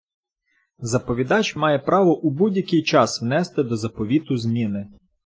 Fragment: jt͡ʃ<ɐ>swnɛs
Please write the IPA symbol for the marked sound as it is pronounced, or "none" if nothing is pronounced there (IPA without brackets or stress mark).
ɑ